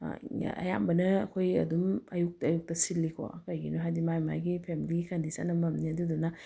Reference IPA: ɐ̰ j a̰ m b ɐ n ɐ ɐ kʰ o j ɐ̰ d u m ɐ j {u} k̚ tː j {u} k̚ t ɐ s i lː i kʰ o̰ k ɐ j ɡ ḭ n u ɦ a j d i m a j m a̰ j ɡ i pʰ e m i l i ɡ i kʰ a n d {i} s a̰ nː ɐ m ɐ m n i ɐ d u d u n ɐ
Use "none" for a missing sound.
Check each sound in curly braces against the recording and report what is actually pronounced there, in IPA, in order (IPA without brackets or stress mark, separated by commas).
u, u, i